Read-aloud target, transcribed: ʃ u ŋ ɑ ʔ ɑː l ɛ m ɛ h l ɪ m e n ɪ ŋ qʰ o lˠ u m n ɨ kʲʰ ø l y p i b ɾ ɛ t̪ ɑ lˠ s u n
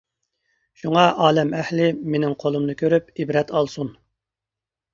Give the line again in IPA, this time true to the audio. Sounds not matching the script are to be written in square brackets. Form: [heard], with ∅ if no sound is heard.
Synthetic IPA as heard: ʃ u ŋ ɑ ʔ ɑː l ɛ m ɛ h l ɪ m e n ɪ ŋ qʰ o lˠ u m n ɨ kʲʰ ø [ɾ] y p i b ɾ ɛ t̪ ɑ lˠ s u n